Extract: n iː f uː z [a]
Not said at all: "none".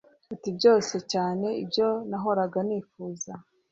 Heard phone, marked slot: a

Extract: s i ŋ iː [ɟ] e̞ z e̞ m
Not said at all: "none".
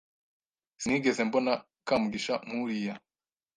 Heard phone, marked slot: ɡ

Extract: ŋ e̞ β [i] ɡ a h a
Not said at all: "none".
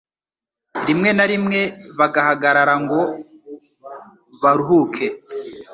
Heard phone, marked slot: a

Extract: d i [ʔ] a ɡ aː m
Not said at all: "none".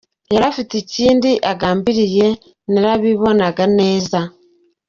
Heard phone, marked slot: ʔ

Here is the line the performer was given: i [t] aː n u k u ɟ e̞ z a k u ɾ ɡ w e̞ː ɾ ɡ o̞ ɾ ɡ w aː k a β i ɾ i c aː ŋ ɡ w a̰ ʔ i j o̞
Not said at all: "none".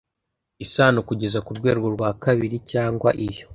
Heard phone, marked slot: s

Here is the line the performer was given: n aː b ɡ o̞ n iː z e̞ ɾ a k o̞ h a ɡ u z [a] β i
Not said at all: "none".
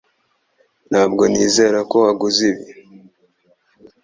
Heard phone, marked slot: i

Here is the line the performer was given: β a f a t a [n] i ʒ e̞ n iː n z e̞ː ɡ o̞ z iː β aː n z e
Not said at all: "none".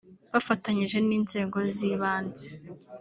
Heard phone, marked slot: ɲ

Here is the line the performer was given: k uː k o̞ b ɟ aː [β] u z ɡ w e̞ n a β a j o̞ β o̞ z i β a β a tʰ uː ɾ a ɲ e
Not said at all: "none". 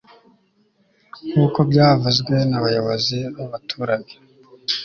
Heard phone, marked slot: v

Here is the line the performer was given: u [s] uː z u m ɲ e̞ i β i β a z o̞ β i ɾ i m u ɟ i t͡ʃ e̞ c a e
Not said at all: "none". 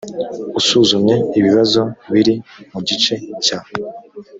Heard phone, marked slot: s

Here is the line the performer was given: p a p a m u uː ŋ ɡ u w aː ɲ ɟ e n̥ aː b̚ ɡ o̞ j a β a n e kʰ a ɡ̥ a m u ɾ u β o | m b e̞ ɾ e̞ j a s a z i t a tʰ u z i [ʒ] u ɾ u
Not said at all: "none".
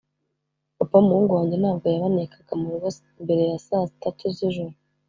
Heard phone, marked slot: ʒ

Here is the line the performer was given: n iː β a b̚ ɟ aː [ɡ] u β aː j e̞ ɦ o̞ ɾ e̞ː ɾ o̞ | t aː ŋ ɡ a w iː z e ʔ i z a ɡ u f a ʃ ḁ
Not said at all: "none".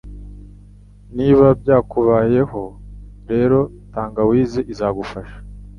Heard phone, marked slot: k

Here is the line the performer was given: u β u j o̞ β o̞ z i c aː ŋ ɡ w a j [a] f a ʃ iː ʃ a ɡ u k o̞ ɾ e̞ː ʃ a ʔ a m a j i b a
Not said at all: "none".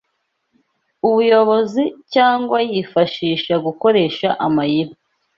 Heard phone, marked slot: i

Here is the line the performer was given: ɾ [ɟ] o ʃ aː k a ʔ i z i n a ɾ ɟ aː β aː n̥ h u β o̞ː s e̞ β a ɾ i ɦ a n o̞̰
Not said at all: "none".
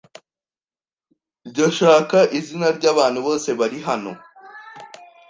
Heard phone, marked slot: ɟ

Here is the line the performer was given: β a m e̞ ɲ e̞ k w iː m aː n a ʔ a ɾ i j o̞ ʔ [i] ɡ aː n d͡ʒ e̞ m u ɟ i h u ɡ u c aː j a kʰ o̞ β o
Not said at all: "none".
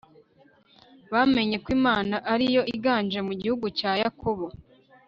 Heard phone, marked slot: i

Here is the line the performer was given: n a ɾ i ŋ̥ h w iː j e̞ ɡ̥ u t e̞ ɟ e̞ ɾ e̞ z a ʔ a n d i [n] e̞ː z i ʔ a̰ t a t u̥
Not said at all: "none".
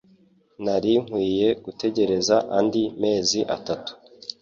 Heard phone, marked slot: m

